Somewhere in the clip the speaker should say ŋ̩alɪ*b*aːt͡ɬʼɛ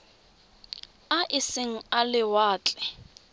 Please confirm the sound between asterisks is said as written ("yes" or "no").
no